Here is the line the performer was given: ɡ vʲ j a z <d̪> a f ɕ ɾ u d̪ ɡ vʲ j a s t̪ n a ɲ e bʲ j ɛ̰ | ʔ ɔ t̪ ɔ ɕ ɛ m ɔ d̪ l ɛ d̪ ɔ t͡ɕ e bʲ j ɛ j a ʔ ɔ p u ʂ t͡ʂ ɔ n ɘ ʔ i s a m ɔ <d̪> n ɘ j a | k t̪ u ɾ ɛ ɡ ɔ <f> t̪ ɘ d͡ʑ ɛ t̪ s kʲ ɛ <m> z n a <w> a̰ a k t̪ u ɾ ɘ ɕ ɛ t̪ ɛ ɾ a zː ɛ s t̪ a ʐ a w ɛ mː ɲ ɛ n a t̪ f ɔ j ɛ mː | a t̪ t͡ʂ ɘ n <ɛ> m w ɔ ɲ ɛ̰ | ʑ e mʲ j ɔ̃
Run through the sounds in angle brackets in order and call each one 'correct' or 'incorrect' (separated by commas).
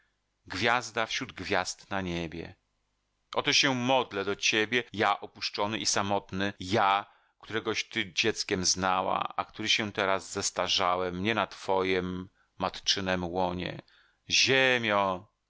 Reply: correct, incorrect, incorrect, correct, correct, correct